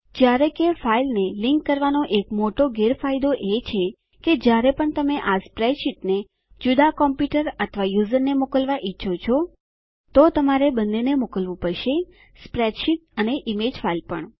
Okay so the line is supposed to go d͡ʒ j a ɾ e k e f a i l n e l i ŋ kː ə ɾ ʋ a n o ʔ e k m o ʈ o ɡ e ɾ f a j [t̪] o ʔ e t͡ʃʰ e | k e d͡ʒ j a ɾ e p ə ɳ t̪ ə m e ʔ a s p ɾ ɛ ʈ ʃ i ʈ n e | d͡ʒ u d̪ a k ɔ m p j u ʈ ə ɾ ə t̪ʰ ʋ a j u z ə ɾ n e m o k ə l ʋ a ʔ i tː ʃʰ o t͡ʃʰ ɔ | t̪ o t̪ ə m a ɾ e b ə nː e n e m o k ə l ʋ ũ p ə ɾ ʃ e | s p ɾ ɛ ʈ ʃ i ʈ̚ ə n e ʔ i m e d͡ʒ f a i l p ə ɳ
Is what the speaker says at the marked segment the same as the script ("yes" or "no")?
no